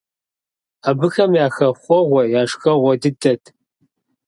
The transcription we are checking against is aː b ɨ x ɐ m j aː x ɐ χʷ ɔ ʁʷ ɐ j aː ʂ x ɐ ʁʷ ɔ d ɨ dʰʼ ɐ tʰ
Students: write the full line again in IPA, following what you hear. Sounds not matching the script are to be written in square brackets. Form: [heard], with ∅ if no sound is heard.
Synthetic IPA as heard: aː b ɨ x ɐ m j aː x ɐ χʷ ɔ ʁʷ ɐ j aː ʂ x ɐ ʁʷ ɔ d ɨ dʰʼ ɐ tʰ